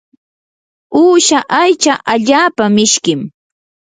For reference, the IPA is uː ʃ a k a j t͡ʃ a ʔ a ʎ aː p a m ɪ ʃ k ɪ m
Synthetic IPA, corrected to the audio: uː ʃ a ʔ a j t͡ʃ a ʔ a ʎ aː p a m ɪ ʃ k ɪ m